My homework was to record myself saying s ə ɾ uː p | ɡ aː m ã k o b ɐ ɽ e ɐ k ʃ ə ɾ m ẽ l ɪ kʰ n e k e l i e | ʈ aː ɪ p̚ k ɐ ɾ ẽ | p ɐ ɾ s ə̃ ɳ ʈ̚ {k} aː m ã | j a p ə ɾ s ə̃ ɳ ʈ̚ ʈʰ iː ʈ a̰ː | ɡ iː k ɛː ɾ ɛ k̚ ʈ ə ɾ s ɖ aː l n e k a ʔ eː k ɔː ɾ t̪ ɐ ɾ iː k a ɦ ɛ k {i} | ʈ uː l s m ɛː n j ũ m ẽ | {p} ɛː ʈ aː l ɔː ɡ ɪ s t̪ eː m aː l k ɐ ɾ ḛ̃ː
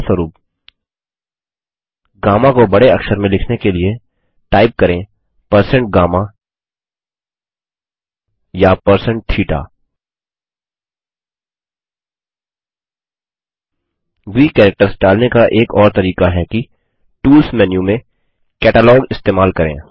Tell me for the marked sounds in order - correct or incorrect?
incorrect: ɡ, correct, incorrect: k

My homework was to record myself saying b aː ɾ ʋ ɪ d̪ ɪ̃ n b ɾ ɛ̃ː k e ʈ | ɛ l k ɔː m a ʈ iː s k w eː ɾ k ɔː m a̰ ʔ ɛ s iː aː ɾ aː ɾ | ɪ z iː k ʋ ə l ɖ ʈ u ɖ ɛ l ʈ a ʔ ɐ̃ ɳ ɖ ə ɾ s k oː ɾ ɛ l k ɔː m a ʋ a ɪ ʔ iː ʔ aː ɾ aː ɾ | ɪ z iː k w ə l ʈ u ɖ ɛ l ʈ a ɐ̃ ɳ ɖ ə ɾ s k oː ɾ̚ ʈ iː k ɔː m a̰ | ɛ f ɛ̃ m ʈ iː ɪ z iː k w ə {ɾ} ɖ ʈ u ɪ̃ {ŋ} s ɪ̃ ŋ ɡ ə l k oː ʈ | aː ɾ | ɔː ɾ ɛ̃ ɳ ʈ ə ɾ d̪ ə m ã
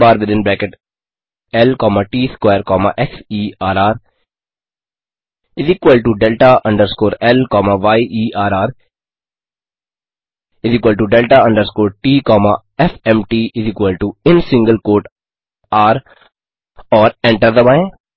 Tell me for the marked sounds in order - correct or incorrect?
incorrect: l, incorrect: n

